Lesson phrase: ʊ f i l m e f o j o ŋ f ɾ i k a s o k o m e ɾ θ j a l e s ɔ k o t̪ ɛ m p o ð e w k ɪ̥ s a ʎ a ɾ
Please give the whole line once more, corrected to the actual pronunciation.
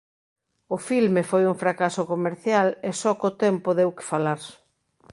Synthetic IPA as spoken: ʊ f i l m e f o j u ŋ f ɾ a k a s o k o m e ɾ θ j a l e s ɔ k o t̪ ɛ m p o ð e w k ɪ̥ f a l a ɾ